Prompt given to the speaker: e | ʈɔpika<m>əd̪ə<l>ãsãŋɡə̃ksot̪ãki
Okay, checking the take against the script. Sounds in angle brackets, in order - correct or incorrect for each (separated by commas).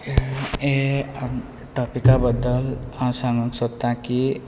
incorrect, correct